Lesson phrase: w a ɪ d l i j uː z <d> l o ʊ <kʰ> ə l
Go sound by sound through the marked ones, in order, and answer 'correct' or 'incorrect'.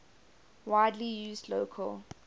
correct, correct

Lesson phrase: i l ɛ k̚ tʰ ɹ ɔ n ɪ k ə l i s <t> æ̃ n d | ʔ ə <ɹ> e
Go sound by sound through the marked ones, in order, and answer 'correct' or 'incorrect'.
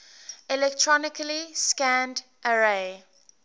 incorrect, correct

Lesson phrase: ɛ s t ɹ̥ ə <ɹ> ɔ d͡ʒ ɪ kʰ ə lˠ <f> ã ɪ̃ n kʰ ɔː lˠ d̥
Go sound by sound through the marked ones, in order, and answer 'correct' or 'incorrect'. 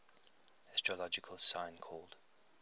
incorrect, incorrect

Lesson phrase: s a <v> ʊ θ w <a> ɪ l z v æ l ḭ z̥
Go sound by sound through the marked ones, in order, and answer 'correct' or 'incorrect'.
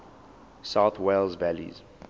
incorrect, incorrect

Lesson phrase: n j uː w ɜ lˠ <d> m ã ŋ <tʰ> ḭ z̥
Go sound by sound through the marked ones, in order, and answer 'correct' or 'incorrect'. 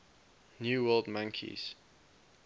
correct, incorrect

